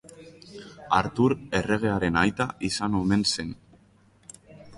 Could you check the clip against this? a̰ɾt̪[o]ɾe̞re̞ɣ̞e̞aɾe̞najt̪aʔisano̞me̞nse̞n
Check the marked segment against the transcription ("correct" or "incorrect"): incorrect